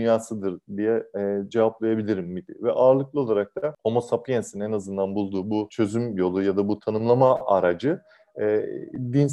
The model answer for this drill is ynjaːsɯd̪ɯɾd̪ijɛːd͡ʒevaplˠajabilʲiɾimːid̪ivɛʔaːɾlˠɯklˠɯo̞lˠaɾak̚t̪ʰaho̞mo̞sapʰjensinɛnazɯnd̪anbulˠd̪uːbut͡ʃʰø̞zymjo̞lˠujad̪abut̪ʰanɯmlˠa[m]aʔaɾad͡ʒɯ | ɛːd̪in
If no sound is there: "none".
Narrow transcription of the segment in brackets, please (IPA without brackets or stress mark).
m